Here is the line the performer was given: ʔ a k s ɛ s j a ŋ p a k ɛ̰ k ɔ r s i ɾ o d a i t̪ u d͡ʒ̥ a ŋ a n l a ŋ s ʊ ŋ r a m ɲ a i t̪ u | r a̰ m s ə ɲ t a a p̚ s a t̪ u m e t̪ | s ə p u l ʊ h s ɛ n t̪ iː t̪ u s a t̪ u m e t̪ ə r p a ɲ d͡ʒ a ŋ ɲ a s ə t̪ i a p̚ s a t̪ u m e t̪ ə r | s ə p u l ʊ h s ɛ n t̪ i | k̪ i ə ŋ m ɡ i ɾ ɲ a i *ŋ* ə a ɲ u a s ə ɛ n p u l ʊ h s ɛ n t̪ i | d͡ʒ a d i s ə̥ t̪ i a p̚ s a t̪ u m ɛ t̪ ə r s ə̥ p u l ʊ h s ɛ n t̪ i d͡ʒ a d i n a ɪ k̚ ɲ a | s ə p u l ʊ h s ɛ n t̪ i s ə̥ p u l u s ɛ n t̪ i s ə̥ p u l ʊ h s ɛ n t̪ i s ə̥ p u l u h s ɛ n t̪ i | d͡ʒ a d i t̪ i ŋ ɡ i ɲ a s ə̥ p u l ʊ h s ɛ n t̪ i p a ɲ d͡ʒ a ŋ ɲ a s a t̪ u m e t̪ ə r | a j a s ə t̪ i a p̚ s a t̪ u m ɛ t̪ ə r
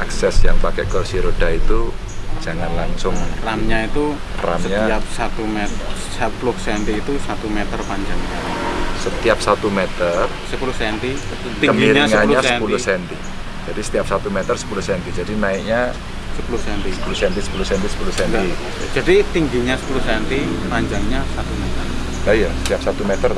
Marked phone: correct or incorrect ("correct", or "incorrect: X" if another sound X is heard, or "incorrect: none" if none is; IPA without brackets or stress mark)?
correct